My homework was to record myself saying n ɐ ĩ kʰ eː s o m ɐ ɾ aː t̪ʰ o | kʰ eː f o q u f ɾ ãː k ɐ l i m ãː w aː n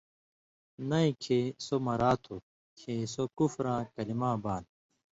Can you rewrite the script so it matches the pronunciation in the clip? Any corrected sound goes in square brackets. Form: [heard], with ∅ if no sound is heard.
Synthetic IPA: n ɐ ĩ kʰ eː s o m ɐ ɾ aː t̪ʰ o | kʰ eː [s] o [k] u f ɾ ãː k ɐ l i m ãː [b] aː n